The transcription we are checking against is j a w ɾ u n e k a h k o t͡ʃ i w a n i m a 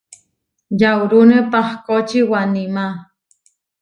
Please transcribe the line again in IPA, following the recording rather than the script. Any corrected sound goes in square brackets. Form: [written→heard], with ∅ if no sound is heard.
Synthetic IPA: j a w ɾ u n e [k→p] a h k o t͡ʃ i w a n i m a